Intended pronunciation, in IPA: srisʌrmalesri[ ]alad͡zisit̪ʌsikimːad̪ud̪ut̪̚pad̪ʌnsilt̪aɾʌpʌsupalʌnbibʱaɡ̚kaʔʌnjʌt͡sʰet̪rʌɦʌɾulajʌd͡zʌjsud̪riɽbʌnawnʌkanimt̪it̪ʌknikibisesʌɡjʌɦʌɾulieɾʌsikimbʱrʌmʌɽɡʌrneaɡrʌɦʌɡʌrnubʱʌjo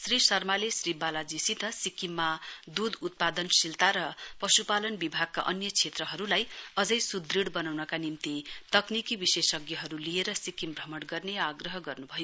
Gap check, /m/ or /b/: b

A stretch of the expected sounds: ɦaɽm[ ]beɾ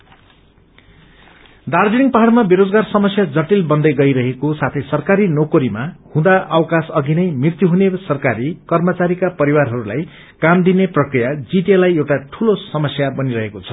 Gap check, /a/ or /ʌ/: a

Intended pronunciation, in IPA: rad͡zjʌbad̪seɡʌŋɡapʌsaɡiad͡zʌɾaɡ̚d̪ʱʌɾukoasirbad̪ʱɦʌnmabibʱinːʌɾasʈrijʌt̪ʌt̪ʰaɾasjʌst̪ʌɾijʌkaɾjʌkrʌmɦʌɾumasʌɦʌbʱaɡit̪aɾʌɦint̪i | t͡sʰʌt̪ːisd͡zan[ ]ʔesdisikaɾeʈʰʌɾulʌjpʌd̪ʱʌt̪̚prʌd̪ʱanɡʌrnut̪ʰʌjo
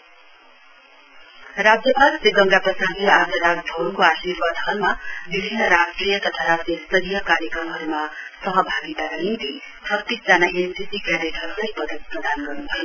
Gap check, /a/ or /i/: a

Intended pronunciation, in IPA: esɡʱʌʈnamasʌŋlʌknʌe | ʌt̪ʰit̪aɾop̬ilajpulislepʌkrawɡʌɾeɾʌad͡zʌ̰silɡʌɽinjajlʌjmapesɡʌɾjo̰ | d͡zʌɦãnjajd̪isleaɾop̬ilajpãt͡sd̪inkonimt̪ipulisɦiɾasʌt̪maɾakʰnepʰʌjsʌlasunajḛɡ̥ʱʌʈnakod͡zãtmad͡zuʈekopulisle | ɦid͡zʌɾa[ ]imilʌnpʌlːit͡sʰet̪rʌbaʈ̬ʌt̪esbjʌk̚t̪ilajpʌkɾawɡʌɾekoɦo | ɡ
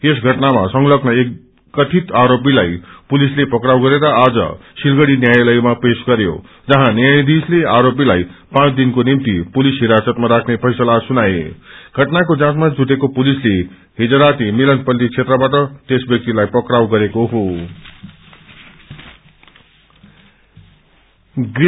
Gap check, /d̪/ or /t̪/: t̪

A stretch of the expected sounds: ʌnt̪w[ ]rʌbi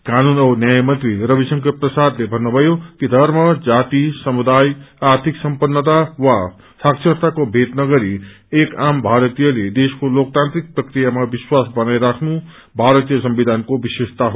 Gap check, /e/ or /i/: i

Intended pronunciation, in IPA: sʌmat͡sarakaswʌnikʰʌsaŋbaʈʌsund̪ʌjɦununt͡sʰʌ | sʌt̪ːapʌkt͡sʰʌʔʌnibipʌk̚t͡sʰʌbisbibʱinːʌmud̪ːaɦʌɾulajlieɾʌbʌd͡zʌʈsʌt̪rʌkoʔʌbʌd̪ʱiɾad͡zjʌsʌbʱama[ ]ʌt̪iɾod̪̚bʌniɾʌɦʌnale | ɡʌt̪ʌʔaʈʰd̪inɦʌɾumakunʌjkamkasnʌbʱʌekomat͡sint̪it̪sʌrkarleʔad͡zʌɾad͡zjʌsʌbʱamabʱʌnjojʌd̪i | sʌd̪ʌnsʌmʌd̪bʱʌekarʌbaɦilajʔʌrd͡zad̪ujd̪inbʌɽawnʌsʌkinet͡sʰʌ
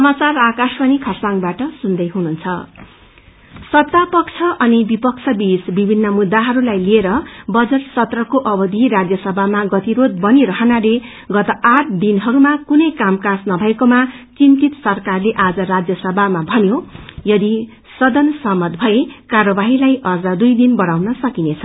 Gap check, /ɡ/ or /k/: ɡ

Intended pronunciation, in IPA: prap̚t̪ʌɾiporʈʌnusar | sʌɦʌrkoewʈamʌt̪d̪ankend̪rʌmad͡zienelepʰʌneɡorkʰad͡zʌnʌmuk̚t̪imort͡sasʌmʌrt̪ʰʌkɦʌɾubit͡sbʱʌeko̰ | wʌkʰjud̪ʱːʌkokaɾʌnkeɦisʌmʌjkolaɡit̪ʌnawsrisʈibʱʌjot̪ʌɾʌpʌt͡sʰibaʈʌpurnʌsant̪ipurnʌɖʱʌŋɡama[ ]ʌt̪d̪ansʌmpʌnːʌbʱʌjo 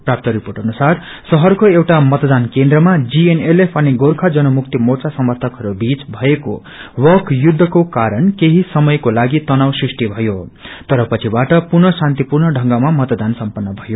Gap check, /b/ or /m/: m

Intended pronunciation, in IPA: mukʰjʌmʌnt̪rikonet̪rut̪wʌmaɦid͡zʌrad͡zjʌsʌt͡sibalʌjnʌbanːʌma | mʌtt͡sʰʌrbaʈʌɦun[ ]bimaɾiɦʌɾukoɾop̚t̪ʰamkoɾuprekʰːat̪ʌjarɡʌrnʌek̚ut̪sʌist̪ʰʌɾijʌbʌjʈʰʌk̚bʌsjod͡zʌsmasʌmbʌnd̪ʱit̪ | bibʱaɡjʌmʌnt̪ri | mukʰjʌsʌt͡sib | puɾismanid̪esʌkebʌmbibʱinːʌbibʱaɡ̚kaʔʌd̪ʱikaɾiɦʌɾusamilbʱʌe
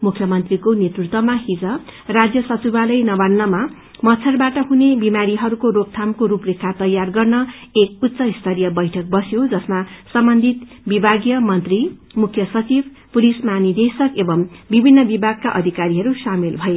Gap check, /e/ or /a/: e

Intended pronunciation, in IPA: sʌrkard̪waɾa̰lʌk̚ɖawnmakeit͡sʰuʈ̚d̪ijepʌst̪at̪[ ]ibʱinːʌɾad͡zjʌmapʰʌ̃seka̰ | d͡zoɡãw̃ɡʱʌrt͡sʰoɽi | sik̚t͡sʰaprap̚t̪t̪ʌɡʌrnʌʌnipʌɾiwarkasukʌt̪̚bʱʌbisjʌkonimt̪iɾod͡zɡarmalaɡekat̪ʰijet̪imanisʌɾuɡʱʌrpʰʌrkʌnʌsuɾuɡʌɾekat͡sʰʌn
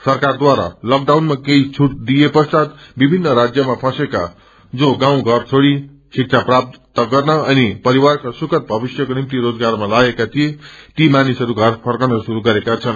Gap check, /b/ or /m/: b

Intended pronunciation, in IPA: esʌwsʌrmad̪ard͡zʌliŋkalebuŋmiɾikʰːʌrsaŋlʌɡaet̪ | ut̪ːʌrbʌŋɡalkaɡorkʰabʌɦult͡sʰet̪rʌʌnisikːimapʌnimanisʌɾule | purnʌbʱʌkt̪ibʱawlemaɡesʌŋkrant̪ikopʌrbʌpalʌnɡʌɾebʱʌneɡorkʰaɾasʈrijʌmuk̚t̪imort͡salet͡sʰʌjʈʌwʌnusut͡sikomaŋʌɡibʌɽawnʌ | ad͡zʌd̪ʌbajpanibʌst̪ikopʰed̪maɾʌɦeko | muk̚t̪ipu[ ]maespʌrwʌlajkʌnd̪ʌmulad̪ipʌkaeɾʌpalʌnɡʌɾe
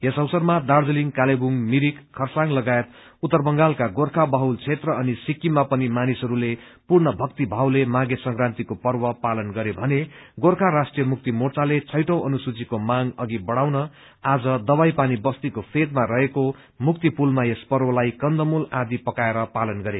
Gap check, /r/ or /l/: l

